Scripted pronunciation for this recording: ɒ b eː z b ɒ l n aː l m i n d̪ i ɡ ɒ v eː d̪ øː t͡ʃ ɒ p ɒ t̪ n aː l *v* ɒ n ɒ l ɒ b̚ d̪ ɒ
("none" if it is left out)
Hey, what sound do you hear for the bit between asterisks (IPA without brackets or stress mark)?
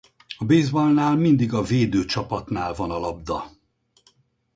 v